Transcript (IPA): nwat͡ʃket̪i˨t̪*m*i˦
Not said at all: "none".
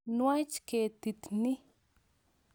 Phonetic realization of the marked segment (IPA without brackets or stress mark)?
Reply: n